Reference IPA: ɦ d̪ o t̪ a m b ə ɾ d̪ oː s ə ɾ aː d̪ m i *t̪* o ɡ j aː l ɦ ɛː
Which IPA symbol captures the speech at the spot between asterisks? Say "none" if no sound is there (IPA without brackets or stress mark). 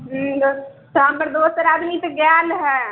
t̪